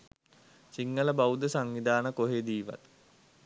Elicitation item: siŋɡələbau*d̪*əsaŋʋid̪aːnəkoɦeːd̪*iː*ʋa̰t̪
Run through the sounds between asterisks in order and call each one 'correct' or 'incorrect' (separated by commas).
correct, correct